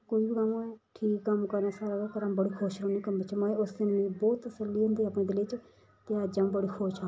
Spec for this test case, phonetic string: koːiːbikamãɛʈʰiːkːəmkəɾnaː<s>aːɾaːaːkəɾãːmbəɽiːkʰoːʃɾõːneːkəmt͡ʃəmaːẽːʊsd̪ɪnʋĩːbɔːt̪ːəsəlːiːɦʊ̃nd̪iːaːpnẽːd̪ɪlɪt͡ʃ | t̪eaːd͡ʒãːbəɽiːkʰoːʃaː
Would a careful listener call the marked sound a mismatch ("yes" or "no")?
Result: no